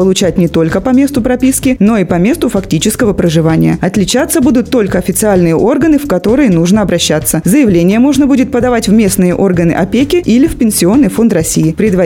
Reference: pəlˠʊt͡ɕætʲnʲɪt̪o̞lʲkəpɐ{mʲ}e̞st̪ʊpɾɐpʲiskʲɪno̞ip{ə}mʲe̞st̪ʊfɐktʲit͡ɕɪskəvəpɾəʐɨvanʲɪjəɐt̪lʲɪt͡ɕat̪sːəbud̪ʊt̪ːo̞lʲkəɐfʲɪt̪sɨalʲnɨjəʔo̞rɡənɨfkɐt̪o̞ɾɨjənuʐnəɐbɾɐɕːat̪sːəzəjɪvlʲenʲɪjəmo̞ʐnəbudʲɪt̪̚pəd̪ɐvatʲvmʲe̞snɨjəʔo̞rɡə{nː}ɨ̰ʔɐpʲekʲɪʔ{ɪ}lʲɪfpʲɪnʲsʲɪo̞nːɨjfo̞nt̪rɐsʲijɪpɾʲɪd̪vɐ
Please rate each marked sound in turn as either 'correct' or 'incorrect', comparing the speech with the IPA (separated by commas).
correct, incorrect, incorrect, incorrect